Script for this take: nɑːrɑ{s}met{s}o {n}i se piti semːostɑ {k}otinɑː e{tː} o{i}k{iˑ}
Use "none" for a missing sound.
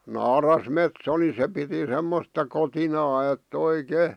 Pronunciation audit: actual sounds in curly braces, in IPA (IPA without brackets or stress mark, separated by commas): s, s, n, k, tː, i, eˑ